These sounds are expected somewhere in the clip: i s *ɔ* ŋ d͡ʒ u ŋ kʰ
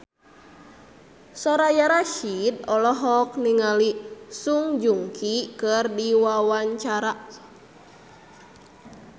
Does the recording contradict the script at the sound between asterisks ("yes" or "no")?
yes